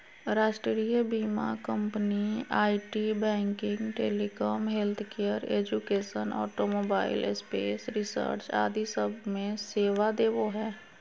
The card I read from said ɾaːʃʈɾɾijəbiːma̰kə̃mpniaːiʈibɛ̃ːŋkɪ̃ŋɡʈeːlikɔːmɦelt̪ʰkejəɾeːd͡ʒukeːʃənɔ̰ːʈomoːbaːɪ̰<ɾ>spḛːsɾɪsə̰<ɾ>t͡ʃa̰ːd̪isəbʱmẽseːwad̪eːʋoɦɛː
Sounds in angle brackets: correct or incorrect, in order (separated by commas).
incorrect, correct